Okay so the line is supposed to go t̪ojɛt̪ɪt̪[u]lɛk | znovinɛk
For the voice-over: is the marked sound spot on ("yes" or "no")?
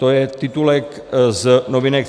yes